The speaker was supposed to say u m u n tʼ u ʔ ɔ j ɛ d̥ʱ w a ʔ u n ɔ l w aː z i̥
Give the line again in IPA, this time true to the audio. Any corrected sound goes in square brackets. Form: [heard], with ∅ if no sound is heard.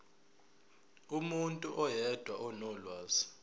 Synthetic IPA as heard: u m u n tʼ u ʔ ɔ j ɛ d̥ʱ w a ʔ [ɔ] n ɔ l w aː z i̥